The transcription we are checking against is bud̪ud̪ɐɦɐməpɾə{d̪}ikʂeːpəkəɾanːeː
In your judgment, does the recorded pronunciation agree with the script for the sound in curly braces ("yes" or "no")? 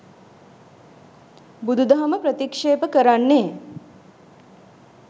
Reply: no